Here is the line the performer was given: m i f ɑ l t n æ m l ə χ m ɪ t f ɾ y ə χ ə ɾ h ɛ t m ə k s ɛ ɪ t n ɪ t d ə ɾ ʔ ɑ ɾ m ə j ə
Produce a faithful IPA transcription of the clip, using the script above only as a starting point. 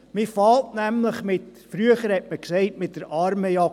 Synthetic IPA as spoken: m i f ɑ l t n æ m l ə χ m ɪ t f ɾ y ə χ ə ɾ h ɛ t m ə k s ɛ ɪ t m ɪ t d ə ɾ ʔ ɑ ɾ m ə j ɑ